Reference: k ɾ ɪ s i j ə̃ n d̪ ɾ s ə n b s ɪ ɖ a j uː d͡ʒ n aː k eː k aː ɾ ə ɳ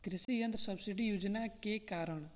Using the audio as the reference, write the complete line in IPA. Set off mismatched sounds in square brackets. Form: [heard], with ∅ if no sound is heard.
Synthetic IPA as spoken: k ɾ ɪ s i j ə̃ n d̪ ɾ s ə [∅] b s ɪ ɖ [i] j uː d͡ʒ n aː k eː k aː ɾ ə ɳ